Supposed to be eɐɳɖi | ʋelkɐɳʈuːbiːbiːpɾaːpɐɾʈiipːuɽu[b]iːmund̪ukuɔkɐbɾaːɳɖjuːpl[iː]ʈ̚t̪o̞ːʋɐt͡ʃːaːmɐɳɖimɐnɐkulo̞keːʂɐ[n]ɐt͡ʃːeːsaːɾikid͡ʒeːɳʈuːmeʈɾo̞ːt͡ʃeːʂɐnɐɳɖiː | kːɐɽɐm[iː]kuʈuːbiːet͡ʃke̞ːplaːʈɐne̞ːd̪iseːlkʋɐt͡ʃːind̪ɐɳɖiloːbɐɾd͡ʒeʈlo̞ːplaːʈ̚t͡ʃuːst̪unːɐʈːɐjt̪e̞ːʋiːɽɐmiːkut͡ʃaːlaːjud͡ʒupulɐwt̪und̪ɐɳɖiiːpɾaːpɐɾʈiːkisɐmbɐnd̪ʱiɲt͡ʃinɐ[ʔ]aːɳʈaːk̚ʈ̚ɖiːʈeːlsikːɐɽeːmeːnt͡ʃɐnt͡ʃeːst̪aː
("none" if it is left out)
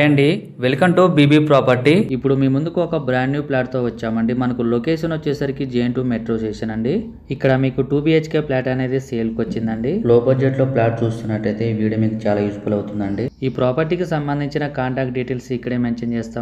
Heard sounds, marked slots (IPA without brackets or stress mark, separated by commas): m, aː, n, iː, k